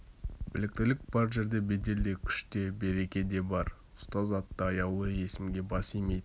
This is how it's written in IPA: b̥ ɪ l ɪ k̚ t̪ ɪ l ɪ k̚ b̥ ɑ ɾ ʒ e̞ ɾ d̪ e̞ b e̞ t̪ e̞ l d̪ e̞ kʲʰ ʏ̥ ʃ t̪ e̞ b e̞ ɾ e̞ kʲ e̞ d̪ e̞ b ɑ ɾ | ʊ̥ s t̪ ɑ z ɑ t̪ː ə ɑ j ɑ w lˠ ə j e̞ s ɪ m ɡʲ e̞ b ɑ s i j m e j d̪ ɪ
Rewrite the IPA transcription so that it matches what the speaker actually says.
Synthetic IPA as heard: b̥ ɪ l ɪ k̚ t̪ ɪ l ɪ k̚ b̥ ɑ ɾ ʒ e̞ ɾ d̪ e̞ b e̞ d̪ e̞ l d̪ e̞ kʲʰ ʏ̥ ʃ t̪ e̞ b e̞ ɾ e̞ kʲ e̞ d̪ e̞ b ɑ ɾ | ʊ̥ s t̪ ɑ z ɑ t̪ː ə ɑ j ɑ w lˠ ə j e̞ s ɪ m ɡʲ e̞ b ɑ s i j m e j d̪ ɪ

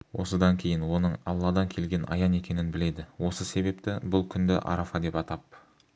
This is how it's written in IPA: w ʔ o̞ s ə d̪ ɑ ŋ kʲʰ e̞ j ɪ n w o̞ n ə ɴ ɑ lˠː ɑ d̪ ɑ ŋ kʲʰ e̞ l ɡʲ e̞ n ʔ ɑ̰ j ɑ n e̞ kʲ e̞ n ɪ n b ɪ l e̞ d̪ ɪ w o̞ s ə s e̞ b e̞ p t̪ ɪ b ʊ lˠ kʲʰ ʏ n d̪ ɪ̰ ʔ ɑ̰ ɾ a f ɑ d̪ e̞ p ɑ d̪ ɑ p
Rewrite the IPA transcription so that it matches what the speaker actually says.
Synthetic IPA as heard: w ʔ o̞ s ə d̪ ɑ ŋ kʲʰ e̞ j ɪ n w o̞ n ə ɴ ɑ lˠː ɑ d̪ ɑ ŋ kʲʰ e̞ l ɡʲ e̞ n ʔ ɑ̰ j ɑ n e̞ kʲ e̞ n ɪ n b ɪ l e̞ d̪ ɪ w o̞ s ə s e̞ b e̞ p t̪ ɪ b ʊ lˠ kʲʰ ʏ n d̪ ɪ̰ ʔ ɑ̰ ɾ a f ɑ d̪ e̞ p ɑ t̪ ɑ p

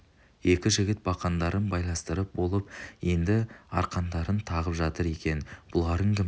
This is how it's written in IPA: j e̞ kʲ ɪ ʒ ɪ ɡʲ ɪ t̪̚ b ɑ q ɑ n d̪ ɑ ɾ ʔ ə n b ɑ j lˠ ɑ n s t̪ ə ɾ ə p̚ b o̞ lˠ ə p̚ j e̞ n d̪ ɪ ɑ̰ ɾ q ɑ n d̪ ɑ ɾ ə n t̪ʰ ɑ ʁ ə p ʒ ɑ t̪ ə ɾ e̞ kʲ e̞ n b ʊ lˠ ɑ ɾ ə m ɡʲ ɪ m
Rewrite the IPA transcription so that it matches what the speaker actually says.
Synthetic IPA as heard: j e̞ kʲ ɪ ʒ ɪ ɡʲ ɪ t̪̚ b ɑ q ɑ n d̪ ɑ ɾ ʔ ə n b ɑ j lˠ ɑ n s t̪ ə ɾ ə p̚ b o̞ lˠ ə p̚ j e̞ n d̪ ɪ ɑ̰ ɾ q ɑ n d̪ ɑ ɾ ə n t̪ʰ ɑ ʁ ə p ʒ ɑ t̪ ə ɾ e̞ kʲ e̞ n b ʊ lˠ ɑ ɾ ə ŋ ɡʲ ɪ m

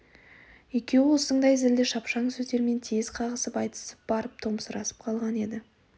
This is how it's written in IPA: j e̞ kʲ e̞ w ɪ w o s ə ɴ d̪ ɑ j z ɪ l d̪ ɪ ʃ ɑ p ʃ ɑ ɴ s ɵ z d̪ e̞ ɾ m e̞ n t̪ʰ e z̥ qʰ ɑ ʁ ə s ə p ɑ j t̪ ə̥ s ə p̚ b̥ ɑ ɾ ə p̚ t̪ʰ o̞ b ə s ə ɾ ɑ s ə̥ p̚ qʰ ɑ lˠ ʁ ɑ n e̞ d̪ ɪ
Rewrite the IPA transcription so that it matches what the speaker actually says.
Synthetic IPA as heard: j e̞ kʲ e̞ w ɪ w o s ə ɴ d̪ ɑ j z ɪ l d̪ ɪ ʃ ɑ p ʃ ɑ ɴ s ɵ z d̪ e̞ ɾ m e̞ n t̪ʰ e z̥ qʰ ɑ ʁ ə s ə p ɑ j t̪ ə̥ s ə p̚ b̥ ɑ ɾ ə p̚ t̪ʰ o̞ m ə s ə ɾ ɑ s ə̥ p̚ qʰ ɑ lˠ ʁ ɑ n e̞ d̪ ɪ

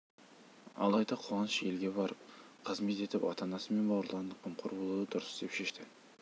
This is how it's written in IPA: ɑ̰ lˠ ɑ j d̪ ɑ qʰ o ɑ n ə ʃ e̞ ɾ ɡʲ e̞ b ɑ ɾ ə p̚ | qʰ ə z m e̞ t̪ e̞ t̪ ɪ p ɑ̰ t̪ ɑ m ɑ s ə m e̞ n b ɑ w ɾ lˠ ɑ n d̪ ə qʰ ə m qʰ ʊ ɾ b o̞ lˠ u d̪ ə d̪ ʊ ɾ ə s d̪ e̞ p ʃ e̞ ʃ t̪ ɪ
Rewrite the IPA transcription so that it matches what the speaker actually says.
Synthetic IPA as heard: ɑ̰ lˠ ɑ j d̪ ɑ qʰ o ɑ n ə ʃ e̞ l ɡʲ e̞ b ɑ ɾ ə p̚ | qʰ ə z m e̞ t̪ e̞ t̪ ɪ p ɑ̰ t̪ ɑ n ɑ s ə m e̞ n b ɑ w ɾ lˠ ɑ n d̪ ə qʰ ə m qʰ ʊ ɾ b o̞ lˠ u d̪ ə d̪ ʊ ɾ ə s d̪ e̞ p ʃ e̞ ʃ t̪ ɪ

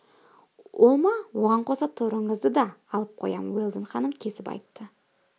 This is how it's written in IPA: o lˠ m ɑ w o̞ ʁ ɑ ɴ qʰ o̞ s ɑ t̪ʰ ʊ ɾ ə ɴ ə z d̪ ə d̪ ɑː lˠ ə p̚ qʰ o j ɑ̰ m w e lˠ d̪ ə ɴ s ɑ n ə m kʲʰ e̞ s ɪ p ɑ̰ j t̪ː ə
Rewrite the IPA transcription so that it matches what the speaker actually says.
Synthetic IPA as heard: o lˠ m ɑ w o̞ ʁ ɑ ɴ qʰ o̞ s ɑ t̪ʰ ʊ ɾ ə ɴ ə z d̪ ə d̪ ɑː lˠ ə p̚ qʰ o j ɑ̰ m w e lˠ d̪ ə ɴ χ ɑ n ə m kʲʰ e̞ s ɪ p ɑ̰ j t̪ː ə

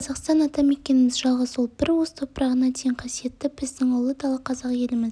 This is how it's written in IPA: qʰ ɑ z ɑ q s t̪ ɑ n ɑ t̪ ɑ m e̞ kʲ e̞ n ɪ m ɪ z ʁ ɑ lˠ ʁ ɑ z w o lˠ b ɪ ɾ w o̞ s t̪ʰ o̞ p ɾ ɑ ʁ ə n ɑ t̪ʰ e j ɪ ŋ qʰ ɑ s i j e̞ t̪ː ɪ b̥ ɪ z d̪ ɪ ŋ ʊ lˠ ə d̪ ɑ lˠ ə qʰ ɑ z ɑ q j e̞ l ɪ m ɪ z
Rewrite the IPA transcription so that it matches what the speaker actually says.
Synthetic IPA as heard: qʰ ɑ z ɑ q s t̪ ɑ n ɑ t̪ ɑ m e̞ kʲ e̞ n ɪ m ɪ z ʒ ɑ lˠ ʁ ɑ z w o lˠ b ɪ ɾ w o̞ s t̪ʰ o̞ p ɾ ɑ ʁ ə n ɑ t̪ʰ e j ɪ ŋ qʰ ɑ s i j e̞ t̪ː ɪ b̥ ɪ z d̪ ɪ ŋ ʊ lˠ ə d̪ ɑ lˠ ə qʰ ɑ z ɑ q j e̞ l ɪ m ɪ z

